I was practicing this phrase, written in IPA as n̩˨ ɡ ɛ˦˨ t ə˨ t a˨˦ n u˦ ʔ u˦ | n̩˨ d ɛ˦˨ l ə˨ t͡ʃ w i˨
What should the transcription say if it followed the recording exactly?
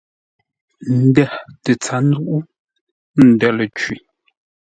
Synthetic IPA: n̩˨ d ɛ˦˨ t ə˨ t͡s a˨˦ n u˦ ʔ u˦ | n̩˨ d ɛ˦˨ l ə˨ t͡ʃ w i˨